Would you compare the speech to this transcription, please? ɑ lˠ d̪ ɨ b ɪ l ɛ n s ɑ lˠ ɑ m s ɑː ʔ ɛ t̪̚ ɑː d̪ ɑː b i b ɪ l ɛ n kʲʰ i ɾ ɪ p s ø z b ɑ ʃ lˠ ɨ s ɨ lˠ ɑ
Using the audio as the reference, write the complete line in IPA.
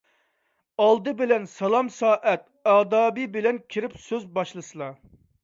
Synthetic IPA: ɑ lˠ d̪ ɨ b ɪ l ɛ n s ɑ lˠ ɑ m s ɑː ʔ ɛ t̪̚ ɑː d̪ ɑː b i b ɪ l ɛ n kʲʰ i ɾ ɪ p s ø z b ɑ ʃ lˠ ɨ s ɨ lˠ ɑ

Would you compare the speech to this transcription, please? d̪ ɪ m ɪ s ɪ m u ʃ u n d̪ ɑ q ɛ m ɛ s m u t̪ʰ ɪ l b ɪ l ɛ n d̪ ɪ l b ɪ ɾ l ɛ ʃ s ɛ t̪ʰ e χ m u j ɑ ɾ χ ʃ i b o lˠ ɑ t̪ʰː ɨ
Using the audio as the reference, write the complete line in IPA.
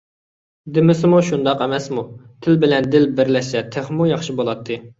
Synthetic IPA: d̪ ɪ m ɪ s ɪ m u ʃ u n d̪ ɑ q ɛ m ɛ s m u t̪ʰ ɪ l b ɪ l ɛ n d̪ ɪ l b ɪ ɾ l ɛ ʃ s ɛ t̪ʰ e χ m u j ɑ χ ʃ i b o lˠ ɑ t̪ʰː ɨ

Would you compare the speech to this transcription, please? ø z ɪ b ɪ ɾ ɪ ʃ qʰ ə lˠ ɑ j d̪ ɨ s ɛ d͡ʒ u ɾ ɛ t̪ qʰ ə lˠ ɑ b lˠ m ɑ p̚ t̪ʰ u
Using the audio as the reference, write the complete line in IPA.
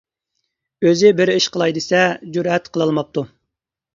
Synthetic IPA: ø z ɪ b ɪ ɾ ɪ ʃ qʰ ə lˠ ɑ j d̪ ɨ s ɛ d͡ʒ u ɾ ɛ t̪ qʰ ə lˠ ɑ lˠ m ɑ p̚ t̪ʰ u

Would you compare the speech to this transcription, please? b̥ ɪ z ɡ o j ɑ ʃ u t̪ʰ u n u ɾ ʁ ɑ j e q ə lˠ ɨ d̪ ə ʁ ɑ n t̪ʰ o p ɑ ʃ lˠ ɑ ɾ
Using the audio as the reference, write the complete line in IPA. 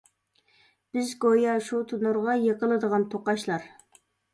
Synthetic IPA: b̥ ɪ z ɡ o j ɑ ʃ u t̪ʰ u n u ɾ ʁ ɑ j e q ə lˠ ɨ d̪ ə ʁ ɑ n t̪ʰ o q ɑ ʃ lˠ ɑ ɾ

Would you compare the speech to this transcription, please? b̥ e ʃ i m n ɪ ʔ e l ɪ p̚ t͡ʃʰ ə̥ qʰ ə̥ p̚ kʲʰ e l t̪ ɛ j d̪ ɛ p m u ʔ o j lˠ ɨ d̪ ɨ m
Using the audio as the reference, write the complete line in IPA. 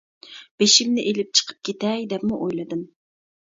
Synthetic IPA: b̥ e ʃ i m n ɪ ʔ e l ɪ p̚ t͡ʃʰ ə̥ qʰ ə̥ p̚ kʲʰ e t̪ ɛ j d̪ ɛ p m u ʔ o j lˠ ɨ d̪ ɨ m

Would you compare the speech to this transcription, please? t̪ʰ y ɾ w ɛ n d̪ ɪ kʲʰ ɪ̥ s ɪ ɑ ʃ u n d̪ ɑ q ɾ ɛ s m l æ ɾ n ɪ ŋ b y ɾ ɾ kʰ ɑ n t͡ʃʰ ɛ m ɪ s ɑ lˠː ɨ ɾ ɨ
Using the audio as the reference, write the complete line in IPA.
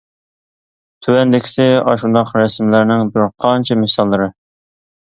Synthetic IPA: t̪ʰ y w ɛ n d̪ ɪ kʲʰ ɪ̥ s ɪ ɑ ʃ u n d̪ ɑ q ɾ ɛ s m l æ ɾ n ɪ ŋ b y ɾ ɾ qʰ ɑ n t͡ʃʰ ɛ m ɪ s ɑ lˠː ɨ ɾ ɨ

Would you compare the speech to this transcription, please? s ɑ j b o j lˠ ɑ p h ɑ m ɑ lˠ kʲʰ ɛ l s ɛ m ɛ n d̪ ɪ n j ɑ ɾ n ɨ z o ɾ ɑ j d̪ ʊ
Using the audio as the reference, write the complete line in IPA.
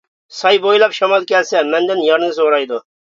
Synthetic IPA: s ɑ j b o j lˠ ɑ p ʃ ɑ m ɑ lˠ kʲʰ ɛ l s ɛ m ɛ n d̪ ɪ n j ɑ ɾ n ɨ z o ɾ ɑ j d̪ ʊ

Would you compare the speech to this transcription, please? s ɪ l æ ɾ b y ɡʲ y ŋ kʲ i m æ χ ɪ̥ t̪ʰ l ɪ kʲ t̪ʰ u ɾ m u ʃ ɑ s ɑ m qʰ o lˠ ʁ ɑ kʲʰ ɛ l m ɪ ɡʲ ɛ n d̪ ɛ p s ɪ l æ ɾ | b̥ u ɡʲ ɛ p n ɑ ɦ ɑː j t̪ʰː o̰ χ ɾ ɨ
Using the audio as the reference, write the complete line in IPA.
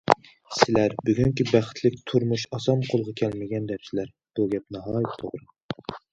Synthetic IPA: s ɪ l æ ɾ b y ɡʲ y ŋ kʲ i b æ χ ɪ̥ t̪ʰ l ɪ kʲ t̪ʰ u ɾ m u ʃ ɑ s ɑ m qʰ o lˠ ʁ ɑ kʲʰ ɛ l m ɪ ɡʲ ɛ n d̪ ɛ p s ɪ l æ ɾ | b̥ u ɡʲ ɛ p n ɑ ɦ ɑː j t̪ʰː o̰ ʁ ɾ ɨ

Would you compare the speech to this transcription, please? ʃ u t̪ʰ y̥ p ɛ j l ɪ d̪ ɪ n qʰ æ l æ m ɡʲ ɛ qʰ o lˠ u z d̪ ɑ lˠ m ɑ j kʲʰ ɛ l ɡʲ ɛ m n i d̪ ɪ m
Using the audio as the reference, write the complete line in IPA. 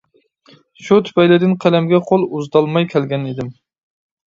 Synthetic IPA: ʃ u t̪ʰ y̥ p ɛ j l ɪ d̪ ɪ n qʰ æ l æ m ɡʲ ɛ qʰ o lˠ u z d̪ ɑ lˠ m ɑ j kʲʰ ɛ l ɡʲ ɛ n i d̪ ɪ m

